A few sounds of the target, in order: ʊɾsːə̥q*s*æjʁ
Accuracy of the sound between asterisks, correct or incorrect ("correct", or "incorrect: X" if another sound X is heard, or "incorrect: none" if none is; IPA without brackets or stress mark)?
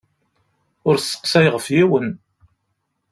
correct